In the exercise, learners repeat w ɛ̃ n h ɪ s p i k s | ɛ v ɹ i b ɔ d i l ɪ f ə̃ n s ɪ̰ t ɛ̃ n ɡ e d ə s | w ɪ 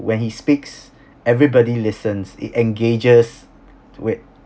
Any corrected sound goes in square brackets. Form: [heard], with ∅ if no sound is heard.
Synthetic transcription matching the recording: w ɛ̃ n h [i] s p i k s | ɛ v ɹ i b ɔ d i l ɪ [s] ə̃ n s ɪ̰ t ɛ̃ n ɡ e [d͡ʒ] ə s | w ɪ